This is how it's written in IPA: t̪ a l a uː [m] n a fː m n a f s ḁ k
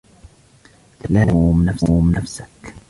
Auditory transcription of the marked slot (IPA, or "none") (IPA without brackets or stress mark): m